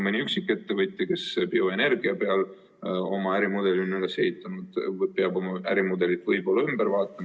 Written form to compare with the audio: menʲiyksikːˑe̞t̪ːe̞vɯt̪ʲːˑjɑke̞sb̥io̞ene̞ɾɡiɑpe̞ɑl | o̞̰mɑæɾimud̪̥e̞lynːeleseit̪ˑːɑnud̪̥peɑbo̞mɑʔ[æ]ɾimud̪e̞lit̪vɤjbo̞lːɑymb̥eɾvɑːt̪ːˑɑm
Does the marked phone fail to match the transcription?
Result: no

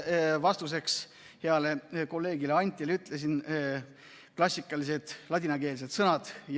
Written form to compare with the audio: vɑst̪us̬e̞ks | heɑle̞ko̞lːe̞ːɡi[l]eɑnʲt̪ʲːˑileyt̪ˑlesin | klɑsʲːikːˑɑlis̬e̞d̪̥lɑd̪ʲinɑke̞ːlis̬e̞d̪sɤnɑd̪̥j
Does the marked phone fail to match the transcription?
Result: no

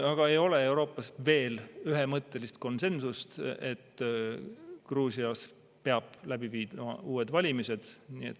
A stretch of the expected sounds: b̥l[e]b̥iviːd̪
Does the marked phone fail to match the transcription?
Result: yes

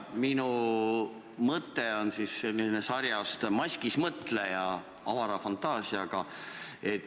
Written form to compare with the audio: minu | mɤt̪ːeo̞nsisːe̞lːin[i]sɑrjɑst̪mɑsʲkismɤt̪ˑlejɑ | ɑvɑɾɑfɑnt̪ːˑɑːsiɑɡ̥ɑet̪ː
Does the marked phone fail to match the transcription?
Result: yes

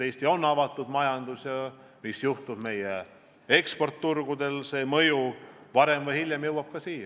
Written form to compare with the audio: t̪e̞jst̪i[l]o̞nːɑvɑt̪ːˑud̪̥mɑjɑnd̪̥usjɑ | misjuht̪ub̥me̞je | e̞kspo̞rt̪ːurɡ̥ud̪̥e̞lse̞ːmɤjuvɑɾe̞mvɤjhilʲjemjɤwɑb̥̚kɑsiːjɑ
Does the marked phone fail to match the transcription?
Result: yes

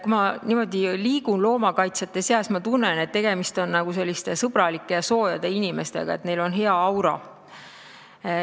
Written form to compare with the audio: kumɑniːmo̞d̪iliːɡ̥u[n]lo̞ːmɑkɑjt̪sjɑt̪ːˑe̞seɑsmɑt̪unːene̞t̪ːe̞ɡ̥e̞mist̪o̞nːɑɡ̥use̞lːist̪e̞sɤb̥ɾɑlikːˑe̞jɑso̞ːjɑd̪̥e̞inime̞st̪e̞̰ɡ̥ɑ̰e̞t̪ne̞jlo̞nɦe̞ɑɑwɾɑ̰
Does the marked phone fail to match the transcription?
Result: no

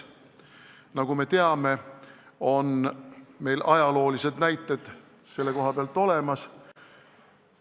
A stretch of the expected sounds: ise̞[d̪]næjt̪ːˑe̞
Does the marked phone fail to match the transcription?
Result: no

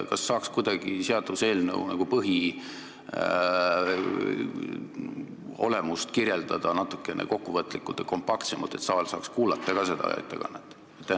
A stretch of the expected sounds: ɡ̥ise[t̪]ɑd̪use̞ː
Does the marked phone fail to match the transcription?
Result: yes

